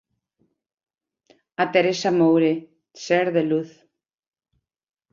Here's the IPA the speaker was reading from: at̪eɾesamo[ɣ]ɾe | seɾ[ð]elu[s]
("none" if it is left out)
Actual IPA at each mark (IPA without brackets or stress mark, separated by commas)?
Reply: w, ð, θ